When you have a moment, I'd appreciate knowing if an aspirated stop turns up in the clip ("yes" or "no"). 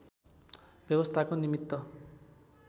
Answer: yes